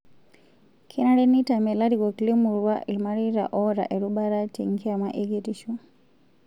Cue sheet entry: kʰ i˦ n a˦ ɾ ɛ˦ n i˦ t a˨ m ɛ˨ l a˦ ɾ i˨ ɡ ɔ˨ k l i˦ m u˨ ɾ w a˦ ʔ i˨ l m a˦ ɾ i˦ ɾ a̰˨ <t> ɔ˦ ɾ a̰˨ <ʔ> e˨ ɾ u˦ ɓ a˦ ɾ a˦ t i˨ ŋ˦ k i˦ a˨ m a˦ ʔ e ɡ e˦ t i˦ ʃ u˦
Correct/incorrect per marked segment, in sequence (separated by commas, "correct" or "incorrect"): incorrect, correct